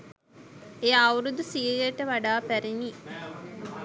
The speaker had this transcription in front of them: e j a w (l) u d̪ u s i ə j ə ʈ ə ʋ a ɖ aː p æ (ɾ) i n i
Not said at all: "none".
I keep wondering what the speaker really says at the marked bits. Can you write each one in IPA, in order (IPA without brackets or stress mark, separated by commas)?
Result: ɾ, ɾ